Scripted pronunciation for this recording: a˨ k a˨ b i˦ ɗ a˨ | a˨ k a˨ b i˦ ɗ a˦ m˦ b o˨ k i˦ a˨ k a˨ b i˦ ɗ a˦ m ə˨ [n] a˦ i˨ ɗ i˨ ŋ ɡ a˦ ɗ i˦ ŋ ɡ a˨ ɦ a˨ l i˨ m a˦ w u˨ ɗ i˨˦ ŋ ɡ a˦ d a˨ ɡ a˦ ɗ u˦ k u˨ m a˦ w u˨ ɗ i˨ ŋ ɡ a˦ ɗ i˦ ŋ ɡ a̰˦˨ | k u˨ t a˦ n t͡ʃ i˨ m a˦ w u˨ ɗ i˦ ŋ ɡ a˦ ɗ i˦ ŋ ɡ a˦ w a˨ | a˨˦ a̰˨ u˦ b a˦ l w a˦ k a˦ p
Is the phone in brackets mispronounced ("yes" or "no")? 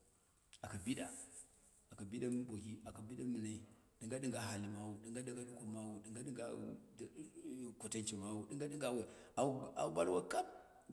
no